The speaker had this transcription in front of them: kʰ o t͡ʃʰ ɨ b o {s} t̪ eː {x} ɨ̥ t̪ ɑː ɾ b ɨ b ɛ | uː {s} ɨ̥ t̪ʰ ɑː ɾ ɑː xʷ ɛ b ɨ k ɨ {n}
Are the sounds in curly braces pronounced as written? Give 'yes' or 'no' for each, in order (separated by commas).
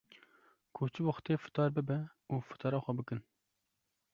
no, no, no, yes